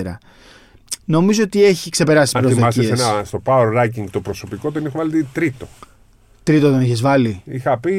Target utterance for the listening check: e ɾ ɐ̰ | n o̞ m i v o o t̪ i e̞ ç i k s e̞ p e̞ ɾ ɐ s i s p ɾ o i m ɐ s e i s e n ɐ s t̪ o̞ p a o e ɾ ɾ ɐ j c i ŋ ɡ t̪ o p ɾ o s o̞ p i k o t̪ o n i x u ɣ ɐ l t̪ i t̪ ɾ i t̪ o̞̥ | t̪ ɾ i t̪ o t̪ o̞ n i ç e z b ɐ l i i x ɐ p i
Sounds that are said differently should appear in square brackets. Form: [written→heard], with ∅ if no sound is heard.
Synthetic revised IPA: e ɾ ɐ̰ | n o̞ m i [v→z] o o t̪ i e̞ ç i k s e̞ p e̞ ɾ ɐ s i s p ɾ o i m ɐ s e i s e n ɐ s t̪ o̞ p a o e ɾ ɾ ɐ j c i ŋ ɡ t̪ o p ɾ o s o̞ p i k o t̪ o n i x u [ɣ→v] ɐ l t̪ i t̪ ɾ i t̪ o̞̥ | t̪ ɾ i t̪ o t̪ o̞ n i ç e z [b→v] ɐ l i i x ɐ p i